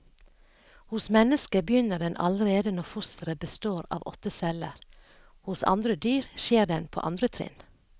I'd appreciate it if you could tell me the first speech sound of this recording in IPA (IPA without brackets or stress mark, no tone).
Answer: h